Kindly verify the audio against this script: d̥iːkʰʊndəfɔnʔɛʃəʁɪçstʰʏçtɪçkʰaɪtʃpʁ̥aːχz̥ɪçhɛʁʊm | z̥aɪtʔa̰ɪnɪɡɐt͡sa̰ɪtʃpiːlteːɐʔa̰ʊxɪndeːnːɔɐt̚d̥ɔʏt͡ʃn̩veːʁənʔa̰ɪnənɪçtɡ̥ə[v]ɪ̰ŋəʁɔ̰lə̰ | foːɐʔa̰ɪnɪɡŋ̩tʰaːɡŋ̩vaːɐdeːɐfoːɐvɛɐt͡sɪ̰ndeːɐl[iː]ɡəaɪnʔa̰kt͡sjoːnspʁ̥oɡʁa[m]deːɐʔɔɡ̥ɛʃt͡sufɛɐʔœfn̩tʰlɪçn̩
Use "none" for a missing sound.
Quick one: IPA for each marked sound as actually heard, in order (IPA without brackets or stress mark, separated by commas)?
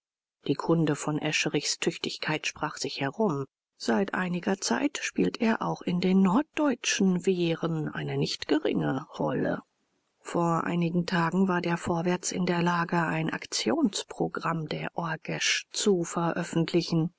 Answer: ʁ, aː, m